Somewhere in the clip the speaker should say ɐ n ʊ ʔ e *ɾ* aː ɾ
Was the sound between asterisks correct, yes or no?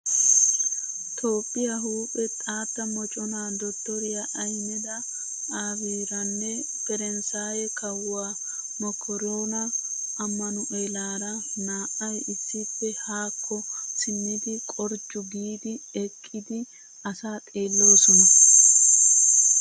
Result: no